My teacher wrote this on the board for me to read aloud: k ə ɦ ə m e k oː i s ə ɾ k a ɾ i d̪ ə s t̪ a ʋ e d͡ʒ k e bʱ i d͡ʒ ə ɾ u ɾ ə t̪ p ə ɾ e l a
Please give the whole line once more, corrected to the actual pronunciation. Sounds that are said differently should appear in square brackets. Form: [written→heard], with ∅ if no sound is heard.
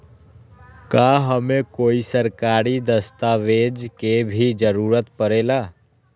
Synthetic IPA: k [ə→a] ɦ ə m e k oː i s ə ɾ k a ɾ i d̪ ə s t̪ a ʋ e d͡ʒ k e bʱ i d͡ʒ ə ɾ u ɾ ə t̪ p ə ɾ e l a